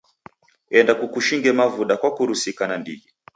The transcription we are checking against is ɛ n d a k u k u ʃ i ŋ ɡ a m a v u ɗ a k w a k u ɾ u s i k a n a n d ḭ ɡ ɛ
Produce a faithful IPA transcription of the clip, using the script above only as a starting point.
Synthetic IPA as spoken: ɛ n d a k u k u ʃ i ŋ ɡ ɛ m a v u ɗ a k w a k u ɾ u s i k a n a n d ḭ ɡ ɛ